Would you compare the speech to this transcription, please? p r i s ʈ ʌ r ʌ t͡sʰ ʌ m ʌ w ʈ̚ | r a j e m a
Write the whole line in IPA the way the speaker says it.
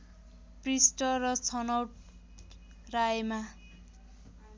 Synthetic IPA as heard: p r i s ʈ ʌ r ʌ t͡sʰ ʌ n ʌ w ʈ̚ | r a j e m a